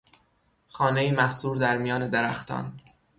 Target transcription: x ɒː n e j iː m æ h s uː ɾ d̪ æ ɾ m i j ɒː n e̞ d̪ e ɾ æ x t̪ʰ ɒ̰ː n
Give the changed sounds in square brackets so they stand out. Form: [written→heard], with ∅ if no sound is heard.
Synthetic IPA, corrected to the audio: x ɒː n e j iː m æ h s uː ɾ d̪ æ ɾ m i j ɒː n e̞ d̪ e ɾ æ x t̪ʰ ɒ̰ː n